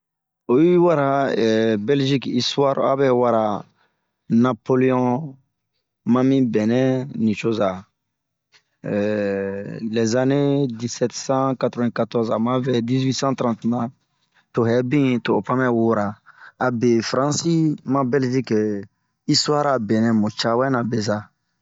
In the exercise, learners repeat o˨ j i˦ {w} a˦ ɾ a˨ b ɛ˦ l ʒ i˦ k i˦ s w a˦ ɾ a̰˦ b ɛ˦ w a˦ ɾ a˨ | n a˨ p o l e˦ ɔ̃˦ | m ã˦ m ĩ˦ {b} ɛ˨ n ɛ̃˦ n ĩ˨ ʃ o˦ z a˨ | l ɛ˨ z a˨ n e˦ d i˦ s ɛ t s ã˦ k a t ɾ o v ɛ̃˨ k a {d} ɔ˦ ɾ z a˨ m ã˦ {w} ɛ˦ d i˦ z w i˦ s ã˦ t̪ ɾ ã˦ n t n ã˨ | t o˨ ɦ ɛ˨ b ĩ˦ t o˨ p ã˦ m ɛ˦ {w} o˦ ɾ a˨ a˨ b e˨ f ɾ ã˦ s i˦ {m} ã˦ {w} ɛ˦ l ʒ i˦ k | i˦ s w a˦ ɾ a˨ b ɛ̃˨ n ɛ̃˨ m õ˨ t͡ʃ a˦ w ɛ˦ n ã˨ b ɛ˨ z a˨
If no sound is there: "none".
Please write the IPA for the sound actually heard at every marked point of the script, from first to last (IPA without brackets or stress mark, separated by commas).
w, b, t, v, w, m, b